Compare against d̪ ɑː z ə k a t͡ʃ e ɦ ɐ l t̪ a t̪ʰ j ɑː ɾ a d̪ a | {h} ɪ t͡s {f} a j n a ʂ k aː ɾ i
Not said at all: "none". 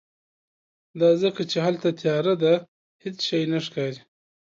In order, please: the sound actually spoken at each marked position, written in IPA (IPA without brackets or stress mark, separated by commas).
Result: h, ʃ